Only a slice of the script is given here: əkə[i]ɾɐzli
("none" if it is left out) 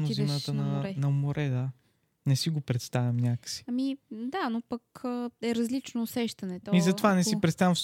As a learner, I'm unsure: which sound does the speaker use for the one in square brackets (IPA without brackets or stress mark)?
ɛ